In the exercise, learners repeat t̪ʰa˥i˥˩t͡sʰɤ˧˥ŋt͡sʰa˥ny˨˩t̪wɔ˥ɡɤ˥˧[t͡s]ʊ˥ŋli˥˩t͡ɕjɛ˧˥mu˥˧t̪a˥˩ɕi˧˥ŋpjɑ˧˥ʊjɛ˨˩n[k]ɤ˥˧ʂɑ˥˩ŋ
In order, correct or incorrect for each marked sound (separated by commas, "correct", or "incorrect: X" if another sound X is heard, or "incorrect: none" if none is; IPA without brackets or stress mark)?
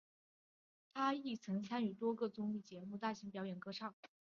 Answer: correct, correct